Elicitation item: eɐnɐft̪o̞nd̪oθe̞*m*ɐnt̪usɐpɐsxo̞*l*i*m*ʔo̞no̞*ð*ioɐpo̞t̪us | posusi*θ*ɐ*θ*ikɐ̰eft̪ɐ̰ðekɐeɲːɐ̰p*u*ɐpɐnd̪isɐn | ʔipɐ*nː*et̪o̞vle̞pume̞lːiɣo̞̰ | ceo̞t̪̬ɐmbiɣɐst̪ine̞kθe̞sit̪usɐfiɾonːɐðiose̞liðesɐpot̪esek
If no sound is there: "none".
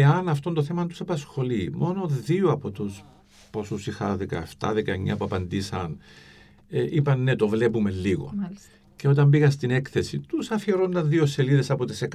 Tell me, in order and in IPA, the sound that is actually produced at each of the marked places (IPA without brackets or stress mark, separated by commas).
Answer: m, l, m, ð, x, ð, u, nː